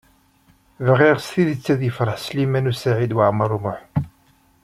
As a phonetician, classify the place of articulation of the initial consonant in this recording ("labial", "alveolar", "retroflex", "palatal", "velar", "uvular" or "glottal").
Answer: labial